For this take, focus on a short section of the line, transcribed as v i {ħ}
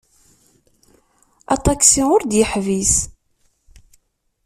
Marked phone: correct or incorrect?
incorrect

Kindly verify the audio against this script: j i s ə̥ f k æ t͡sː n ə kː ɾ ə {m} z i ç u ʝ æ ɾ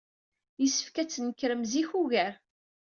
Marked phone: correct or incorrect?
correct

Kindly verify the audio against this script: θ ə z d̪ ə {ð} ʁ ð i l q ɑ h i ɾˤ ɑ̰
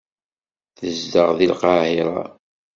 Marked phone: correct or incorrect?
incorrect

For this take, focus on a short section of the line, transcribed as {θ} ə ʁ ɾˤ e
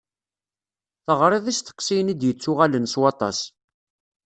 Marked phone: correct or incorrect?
correct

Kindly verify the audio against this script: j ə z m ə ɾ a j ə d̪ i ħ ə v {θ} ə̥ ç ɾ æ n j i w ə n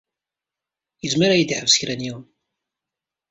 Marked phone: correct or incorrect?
incorrect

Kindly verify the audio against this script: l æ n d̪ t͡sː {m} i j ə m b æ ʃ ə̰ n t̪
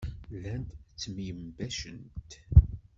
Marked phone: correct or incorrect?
correct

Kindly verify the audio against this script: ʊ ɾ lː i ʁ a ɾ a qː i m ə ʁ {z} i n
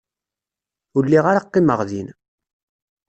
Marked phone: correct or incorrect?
incorrect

